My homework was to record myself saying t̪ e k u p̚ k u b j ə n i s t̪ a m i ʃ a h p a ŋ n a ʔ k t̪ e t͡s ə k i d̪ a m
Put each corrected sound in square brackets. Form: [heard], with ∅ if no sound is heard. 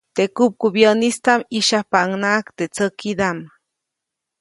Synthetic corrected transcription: t̪ e k u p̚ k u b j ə n i s t̪ a m i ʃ a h p a ŋ n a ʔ k t̪ e t͡s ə k i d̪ a m